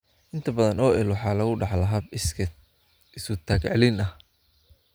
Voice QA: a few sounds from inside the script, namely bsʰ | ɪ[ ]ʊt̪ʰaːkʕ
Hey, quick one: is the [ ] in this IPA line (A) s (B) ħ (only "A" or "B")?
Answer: A